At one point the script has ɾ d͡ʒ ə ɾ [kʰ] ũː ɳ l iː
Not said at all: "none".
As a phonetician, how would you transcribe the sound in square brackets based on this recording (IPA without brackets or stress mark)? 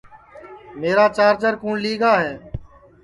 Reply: k